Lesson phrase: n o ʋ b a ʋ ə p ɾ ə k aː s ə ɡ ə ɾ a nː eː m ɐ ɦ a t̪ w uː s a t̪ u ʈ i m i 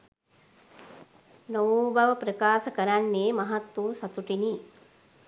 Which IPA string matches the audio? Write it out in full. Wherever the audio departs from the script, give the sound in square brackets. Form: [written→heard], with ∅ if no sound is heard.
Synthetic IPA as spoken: n o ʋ b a ʋ ə p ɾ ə k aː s ə [ɡ→k] ə ɾ a nː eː m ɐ ɦ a t̪ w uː s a t̪ u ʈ i [m→n] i